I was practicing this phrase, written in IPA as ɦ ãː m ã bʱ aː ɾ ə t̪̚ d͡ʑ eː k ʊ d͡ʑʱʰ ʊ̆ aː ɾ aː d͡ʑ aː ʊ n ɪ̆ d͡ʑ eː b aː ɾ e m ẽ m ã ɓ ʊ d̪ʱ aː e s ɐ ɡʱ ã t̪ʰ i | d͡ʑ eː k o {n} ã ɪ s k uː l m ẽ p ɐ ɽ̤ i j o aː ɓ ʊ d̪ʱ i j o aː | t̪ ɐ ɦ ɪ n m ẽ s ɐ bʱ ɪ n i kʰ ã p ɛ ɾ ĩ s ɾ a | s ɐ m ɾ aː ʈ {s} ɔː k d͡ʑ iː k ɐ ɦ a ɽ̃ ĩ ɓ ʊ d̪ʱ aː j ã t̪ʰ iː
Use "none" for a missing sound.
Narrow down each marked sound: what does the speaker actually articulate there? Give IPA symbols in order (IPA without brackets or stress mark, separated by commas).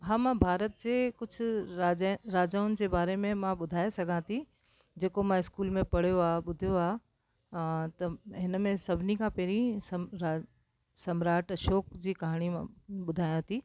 m, ʃ